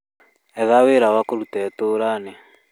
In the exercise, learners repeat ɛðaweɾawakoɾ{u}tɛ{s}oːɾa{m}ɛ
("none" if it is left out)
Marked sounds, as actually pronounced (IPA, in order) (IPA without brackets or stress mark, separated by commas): u, t, n